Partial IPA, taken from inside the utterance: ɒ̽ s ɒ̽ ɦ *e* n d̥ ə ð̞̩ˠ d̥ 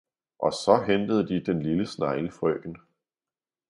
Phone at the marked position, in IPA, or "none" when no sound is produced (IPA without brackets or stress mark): e